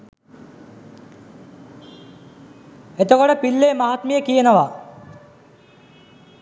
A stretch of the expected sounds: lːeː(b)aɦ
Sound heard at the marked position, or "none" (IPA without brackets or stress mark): m